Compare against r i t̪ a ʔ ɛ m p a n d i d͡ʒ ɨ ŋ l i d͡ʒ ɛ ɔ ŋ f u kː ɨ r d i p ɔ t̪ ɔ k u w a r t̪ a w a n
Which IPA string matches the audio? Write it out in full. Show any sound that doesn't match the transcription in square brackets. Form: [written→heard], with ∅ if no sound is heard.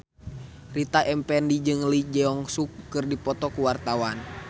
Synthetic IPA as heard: r i t̪ a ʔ ɛ m p [a→ɛ] n d i d͡ʒ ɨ ŋ l i d͡ʒ ɛ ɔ ŋ [f→s] u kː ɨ r d i p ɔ t̪ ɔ k u w a r t̪ a w a n